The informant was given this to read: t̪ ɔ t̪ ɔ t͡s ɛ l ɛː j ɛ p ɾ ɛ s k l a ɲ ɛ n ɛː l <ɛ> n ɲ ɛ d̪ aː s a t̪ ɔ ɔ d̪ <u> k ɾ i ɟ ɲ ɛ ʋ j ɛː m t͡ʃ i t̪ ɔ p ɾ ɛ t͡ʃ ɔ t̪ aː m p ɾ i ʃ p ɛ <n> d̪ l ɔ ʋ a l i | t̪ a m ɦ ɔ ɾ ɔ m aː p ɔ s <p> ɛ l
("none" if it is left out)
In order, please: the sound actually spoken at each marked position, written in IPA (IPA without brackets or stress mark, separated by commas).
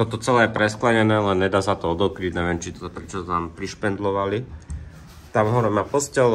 ɛ, ɔ, n, c